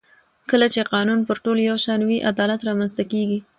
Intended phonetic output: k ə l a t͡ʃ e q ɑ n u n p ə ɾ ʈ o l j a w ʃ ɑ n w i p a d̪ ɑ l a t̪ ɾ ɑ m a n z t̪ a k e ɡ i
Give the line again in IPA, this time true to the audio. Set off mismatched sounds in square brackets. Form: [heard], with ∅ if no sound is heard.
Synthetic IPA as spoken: k ə l a t͡ʃ e q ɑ n u n p ə ɾ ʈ o l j a w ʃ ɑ n w i [ʔ] a d̪ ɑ l a t̪ ɾ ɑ m a n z t̪ a k e ɡ i